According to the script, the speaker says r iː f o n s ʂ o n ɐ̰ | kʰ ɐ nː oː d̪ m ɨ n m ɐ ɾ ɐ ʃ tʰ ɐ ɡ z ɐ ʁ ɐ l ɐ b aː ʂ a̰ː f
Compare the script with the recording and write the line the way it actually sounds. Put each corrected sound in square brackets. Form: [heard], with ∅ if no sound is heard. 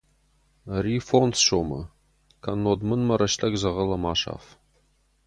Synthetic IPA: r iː f o n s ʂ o [m] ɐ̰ | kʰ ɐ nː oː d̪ m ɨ n m ɐ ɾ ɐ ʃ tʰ ɐ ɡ z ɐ ʁ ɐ l ɐ [m] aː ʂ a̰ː f